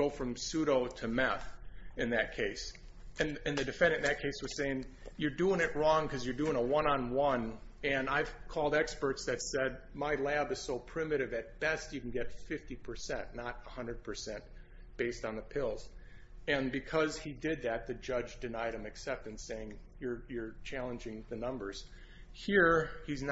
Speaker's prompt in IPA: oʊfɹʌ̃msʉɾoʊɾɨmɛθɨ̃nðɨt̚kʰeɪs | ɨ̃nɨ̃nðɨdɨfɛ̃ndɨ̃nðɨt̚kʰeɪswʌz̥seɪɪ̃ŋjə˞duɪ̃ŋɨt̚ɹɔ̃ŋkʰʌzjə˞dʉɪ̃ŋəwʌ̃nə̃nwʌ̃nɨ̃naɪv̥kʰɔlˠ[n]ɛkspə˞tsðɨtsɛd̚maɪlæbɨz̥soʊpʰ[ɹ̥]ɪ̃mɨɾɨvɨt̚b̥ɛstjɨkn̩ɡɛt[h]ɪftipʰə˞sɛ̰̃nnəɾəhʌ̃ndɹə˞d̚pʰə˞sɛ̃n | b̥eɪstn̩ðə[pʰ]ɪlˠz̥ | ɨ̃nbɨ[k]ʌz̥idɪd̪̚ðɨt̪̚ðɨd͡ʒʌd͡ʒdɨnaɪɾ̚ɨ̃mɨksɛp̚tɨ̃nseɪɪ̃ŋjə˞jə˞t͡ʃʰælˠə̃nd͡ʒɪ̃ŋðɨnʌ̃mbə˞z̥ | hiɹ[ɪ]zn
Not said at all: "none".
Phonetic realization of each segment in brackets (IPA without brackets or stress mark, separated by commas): d, ɹ̥, f, pʰ, kʰ, i